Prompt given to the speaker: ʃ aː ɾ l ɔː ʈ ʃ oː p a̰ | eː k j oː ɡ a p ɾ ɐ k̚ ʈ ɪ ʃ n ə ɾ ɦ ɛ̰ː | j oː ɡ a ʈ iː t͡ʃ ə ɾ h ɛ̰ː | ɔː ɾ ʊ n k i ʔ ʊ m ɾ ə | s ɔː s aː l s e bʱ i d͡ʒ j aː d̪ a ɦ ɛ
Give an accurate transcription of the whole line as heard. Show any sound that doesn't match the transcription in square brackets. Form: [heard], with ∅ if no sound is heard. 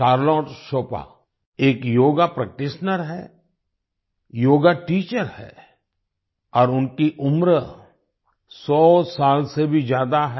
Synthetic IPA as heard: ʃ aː ɾ l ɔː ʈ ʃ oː p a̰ | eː k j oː ɡ a p ɾ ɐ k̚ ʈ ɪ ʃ n ə ɾ ɦ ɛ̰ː | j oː ɡ a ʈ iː t͡ʃ ə ɾ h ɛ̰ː | ɔː ɾ ʊ n k i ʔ ʊ m ɾ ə | s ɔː s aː l s e bʱ i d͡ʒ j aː d̪ a ɦ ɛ